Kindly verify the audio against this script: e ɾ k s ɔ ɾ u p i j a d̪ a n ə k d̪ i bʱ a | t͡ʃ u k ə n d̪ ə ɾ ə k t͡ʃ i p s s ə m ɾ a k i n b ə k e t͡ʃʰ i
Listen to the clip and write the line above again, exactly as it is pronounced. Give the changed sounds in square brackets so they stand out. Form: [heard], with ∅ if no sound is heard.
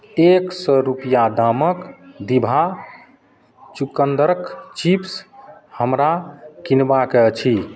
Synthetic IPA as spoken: e [∅] k s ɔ ɾ u p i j a d̪ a [m] ə k d̪ i bʱ a | t͡ʃ u k ə n d̪ ə ɾ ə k t͡ʃ i p s [h] ə m ɾ a k i n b [a] k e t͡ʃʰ i